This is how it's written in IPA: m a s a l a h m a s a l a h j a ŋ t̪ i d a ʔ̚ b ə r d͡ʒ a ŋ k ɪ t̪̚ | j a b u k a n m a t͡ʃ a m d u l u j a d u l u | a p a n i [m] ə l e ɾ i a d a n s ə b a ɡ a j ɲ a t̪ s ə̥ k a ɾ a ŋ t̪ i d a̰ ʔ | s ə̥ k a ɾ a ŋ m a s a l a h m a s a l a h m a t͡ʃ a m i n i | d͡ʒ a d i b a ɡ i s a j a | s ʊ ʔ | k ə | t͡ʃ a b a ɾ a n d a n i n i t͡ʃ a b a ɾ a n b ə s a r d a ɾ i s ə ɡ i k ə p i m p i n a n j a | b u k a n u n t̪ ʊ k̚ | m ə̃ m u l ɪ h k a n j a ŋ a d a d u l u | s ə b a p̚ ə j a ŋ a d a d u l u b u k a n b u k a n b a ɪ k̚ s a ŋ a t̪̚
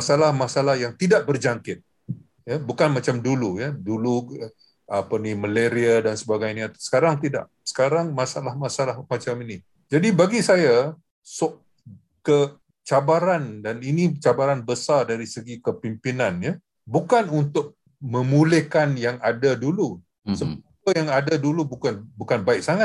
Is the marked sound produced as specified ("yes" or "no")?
yes